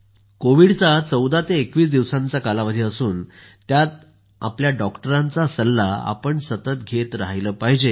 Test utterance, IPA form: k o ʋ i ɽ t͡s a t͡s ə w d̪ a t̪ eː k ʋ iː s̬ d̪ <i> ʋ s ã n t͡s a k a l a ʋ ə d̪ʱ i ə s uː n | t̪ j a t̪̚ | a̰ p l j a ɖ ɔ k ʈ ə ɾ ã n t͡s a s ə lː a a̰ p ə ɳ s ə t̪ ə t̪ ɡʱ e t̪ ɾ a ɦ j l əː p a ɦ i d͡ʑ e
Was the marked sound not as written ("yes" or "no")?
no